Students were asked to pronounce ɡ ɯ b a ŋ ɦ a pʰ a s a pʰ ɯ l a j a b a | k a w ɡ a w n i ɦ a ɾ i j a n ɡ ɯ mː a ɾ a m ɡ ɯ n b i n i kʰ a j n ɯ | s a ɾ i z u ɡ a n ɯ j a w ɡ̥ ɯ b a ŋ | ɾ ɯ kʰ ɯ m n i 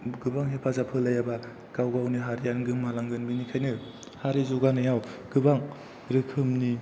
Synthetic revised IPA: ɡ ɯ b a ŋ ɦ e pʰ a z a pʰ ɯ l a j a b a | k a w ɡ a w n i ɦ a ɾ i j a n ɡ ɯ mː a l a ŋ ɡ ɯ n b i n i kʰ a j n ɯ | h a ɾ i z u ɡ a n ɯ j a w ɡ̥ ɯ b a ŋ | ɾ ɯ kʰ ɯ m n i